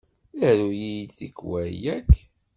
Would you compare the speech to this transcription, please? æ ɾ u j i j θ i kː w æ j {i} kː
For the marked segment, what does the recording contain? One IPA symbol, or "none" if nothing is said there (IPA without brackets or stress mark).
æ